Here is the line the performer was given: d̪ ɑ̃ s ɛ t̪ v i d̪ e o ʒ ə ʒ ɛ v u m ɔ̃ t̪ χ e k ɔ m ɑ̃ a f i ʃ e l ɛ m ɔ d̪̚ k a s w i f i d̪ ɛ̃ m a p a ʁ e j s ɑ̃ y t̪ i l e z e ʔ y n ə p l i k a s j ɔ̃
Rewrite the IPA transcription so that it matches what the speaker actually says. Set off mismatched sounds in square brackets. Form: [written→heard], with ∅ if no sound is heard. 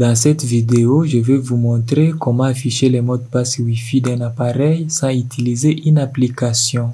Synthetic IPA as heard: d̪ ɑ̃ s ɛ t̪ v i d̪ e o ʒ ə [ʒ→v] ɛ v u m ɔ̃ t̪ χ e k ɔ m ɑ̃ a f i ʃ e l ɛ m ɔ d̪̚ [k→p] a s w i f i d̪ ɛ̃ [m→n] a p a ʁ [e→ɛ] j s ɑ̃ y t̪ i l [e→i] z e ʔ y n [ə→a] p l i k a s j ɔ̃

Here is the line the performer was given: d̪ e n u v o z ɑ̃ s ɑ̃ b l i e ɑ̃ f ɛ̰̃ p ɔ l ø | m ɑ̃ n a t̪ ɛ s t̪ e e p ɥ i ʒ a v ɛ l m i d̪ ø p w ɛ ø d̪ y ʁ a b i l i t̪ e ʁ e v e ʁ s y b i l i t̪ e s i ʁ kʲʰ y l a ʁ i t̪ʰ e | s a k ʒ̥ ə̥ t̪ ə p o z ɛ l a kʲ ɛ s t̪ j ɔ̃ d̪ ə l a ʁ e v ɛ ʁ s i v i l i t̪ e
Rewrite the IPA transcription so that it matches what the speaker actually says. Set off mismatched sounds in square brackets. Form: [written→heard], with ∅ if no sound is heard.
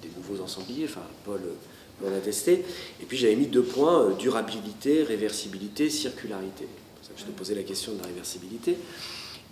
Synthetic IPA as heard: d̪ e n u v o z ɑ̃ s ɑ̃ b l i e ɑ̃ f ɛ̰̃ p ɔ l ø | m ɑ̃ n a t̪ ɛ s t̪ e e p ɥ i ʒ a v ɛ [l→∅] m i d̪ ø p w [ɛ→ɛ̃] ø d̪ y ʁ a b i l i t̪ e ʁ e v [e→ɛ] ʁ s [y→i] b i l i t̪ e s i ʁ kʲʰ y l a ʁ i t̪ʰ e | s a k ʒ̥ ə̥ t̪ ə p o z ɛ l a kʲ ɛ s t̪ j ɔ̃ d̪ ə l a ʁ e v ɛ ʁ s i [v→b] i l i t̪ e

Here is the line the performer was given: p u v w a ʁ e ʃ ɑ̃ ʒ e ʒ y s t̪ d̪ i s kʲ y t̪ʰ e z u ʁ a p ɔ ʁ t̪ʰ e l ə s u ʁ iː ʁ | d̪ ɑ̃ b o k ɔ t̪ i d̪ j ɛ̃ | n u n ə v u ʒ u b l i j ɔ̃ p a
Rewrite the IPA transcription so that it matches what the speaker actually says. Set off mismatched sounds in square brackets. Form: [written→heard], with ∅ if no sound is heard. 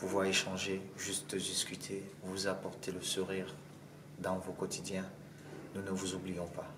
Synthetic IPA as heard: p u v w a ʁ e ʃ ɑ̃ ʒ e ʒ y s t̪ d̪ i s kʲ y t̪ʰ e [z→v] u [ʁ→z] a p ɔ ʁ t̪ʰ e l ə s u ʁ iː ʁ | d̪ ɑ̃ [b→v] o k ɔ t̪ i d̪ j ɛ̃ | n u n ə v u [ʒ→z] u b l i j ɔ̃ p a

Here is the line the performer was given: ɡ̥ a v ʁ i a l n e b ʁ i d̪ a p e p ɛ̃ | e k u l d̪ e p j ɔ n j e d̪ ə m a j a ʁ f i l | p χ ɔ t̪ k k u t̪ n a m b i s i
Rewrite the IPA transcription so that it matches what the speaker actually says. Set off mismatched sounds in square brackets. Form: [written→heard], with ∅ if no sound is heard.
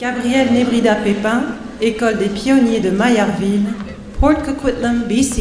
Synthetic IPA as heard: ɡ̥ a [v→b] ʁ i [a→ɛ] l n e b ʁ i d̪ a p e p ɛ̃ | e k [u→ɔ] l d̪ e p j ɔ n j e d̪ ə m a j a ʁ [f→v] i l | p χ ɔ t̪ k k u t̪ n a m b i s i

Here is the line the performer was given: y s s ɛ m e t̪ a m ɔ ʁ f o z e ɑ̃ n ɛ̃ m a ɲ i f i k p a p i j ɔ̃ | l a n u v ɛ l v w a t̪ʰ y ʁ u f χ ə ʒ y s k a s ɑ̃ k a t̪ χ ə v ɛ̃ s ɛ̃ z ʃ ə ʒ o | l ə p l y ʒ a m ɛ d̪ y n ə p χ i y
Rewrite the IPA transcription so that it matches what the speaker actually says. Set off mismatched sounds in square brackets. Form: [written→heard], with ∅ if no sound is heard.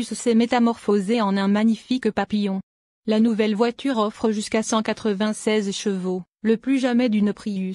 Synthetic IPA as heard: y s s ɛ m e t̪ a m ɔ ʁ f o z e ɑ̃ n ɛ̃ m a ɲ i f i k p a p i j ɔ̃ | l a n u v ɛ l v w a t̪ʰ y ʁ [u→ɔ] f χ ə ʒ y s k a s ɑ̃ k a t̪ χ ə v ɛ̃ s [ɛ̃→ɛ] z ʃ ə [ʒ→v] o | l ə p l y ʒ a m ɛ d̪ y n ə p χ i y

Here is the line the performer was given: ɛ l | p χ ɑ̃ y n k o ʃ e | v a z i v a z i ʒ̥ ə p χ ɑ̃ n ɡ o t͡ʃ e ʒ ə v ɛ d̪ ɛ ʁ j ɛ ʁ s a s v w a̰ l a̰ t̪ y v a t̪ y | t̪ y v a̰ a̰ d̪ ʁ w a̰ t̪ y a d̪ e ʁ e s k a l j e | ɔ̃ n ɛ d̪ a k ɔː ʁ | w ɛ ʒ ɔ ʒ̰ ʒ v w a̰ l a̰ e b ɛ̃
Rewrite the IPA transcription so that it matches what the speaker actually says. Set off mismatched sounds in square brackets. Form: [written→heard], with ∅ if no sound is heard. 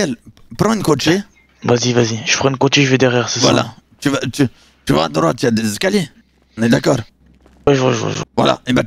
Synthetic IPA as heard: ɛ l | p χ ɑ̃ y n k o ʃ e | v a z i v a z i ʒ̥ ə p χ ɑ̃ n [ɡ→k] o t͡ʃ e ʒ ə v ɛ d̪ ɛ ʁ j ɛ ʁ s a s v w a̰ l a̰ t̪ y v a t̪ y | t̪ y v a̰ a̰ d̪ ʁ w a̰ t̪ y a d̪ e [ʁ→z] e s k a l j e | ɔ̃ n ɛ d̪ a k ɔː ʁ | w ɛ ʒ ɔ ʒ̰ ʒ v w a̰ l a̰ e b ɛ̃

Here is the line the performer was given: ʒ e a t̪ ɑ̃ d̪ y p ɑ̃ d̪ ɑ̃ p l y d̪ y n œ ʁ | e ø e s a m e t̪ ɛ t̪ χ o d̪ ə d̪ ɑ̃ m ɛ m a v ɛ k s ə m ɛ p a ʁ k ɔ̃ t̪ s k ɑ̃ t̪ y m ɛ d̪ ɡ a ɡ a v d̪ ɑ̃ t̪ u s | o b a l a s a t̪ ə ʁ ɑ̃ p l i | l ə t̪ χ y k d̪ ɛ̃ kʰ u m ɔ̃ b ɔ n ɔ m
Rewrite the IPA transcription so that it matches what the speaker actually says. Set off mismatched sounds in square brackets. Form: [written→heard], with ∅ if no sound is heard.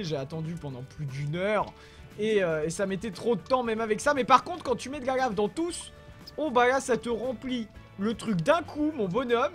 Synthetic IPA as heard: ʒ e a t̪ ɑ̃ d̪ y p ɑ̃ d̪ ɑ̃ p l y d̪ y n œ ʁ | e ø e s a m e t̪ ɛ t̪ χ o d̪ ə [d̪→t̪] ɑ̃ m ɛ m a v ɛ k s [ə→a] m ɛ p a ʁ k ɔ̃ t̪ [s→χ] k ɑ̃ t̪ y m ɛ d̪ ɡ a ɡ a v d̪ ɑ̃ t̪ u s | o b a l a s a t̪ ə ʁ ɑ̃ p l i | l ə t̪ χ y k d̪ ɛ̃ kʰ u m ɔ̃ b ɔ n ɔ m

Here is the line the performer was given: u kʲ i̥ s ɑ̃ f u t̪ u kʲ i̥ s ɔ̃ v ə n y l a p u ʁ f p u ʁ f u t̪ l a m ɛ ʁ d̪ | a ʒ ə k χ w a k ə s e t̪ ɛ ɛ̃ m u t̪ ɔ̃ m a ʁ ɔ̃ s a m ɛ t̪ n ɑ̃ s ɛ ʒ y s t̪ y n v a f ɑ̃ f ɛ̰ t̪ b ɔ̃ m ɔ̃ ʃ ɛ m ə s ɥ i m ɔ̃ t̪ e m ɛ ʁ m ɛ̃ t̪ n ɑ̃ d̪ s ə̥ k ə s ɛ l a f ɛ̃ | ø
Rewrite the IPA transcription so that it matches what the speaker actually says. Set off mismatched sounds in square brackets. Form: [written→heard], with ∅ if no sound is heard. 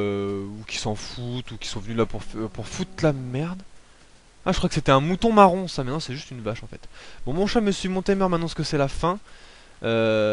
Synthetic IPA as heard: u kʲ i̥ s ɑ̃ f u t̪ u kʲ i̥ s ɔ̃ v ə n y l a p u ʁ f p u ʁ f u t̪ l a m ɛ ʁ d̪ | a ʒ ə k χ w a k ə s e t̪ ɛ ɛ̃ m u t̪ ɔ̃ m a ʁ ɔ̃ s a m ɛ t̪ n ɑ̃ s ɛ ʒ y s t̪ y n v a [f→ʃ] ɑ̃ f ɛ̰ t̪ b ɔ̃ m ɔ̃ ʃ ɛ m ə s ɥ i m ɔ̃ t̪ e m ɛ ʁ m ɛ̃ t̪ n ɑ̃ [d̪→∅] s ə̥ k ə s ɛ l a f ɛ̃ | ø

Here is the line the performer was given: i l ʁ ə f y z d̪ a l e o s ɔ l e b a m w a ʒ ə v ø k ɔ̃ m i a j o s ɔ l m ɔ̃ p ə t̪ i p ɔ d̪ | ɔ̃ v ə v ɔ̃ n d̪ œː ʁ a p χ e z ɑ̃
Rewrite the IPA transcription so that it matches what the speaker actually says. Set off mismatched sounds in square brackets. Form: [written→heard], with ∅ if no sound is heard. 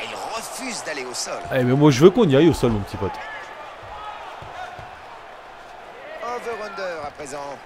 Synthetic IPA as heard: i l ʁ ə f y z d̪ a l e o s ɔ l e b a m w a ʒ ə v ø k ɔ̃ [m→n] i a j o s ɔ l m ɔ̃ p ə t̪ i p ɔ [d̪→t̪] | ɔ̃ v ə [v→ʁ] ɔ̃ n d̪ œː ʁ a p χ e z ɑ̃

